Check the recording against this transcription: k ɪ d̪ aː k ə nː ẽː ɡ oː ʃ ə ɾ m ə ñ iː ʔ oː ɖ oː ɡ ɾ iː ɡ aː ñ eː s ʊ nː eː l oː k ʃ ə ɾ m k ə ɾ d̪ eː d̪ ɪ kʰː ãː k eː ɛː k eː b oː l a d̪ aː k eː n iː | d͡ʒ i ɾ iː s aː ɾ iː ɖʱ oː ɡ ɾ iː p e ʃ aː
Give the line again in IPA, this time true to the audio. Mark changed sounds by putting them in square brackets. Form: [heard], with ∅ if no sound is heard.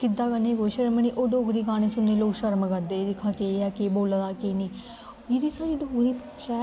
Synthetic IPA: k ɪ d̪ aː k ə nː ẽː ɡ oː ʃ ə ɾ m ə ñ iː ʔ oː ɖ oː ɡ ɾ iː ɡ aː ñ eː s ʊ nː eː l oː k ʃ ə ɾ m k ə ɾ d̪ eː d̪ ɪ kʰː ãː k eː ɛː k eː b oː l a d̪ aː k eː n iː | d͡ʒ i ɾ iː s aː ɾ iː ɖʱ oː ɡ ɾ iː p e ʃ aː